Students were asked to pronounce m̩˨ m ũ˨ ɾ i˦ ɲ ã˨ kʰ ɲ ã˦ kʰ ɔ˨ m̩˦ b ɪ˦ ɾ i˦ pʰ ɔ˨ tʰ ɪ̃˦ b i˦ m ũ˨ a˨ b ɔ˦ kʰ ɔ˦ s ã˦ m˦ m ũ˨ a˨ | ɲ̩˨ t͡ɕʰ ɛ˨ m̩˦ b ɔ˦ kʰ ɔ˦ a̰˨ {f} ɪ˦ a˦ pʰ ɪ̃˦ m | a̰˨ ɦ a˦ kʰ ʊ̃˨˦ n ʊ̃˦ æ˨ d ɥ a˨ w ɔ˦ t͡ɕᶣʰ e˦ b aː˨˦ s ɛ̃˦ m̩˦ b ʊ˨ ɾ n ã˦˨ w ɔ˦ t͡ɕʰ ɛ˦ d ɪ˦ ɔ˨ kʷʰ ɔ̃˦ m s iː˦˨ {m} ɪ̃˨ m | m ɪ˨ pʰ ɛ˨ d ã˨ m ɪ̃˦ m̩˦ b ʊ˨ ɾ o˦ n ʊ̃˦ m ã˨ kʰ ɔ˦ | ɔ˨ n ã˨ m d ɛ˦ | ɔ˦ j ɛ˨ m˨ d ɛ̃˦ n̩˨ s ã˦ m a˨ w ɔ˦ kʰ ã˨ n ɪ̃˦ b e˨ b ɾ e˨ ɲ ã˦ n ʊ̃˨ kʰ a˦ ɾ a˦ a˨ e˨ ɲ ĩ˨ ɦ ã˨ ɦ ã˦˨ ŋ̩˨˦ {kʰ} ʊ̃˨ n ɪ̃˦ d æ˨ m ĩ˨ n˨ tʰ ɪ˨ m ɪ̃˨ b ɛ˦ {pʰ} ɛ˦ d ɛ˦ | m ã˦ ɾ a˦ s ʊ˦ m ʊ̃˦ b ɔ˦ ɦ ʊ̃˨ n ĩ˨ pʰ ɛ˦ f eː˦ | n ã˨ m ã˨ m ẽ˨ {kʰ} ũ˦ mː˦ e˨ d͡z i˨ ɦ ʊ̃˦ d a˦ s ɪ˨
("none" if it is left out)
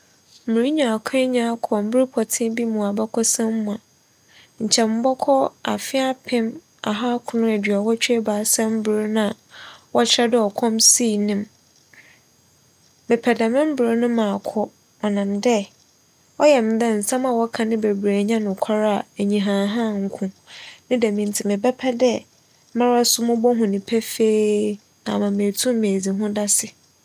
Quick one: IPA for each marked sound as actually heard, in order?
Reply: f, n, kʰ, pʰ, tʰ

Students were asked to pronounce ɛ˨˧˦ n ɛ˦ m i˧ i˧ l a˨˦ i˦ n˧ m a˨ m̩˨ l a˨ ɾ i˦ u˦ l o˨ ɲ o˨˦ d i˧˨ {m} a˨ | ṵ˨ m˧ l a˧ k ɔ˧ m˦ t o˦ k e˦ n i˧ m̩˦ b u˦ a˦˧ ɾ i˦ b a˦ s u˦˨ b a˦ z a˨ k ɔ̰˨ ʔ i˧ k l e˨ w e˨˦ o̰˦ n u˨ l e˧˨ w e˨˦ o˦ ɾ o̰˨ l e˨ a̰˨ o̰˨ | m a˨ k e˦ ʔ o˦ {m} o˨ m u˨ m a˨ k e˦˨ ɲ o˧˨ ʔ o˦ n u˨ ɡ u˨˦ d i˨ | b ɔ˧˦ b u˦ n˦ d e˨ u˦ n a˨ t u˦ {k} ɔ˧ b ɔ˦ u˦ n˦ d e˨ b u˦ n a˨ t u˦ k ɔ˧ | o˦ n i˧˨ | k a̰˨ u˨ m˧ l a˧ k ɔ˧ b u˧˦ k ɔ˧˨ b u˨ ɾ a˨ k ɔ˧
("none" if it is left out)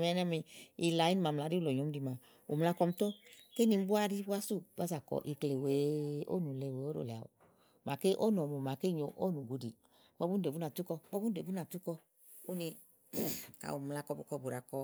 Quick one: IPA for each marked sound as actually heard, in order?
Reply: m, n, k

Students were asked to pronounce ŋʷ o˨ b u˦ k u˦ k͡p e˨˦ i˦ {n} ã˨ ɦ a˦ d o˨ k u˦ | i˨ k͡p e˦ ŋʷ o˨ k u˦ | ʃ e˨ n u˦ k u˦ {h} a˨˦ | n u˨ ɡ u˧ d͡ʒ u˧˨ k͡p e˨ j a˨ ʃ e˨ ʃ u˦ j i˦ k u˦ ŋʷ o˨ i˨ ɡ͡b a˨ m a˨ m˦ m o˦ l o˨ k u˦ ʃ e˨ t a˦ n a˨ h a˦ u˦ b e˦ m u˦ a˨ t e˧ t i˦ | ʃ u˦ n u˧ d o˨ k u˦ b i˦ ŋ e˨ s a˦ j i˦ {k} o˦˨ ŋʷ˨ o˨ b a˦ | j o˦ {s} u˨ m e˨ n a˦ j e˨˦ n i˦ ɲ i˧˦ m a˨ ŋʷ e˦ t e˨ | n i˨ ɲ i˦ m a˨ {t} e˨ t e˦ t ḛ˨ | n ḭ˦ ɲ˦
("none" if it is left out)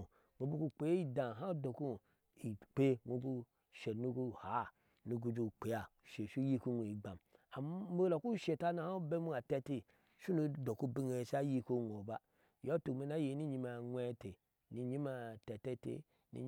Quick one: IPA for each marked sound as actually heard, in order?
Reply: d, h, k, t, t

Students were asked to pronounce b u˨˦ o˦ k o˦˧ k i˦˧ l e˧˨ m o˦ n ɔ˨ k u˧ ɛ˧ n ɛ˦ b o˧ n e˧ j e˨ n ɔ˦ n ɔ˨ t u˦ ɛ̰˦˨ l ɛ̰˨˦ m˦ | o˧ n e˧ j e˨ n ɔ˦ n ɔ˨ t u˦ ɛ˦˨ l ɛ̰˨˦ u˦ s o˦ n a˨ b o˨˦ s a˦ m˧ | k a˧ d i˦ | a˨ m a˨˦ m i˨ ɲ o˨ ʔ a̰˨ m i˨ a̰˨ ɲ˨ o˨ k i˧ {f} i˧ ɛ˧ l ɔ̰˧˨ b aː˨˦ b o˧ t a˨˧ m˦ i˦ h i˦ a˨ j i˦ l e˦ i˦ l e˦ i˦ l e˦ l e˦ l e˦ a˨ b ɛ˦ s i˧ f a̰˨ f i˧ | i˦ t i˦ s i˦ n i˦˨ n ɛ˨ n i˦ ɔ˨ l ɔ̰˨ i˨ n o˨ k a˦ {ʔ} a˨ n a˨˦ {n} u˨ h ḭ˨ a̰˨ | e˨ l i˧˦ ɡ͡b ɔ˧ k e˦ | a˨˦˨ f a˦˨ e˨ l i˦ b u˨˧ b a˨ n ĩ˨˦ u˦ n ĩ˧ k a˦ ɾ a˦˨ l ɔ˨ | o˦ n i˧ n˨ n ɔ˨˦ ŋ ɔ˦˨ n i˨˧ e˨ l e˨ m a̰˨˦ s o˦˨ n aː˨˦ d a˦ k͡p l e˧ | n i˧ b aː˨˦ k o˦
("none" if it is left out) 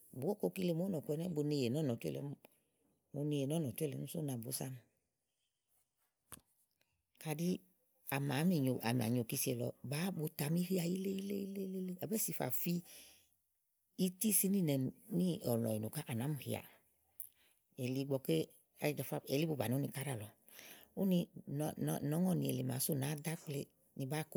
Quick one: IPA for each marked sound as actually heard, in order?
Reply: s, ʔ, m

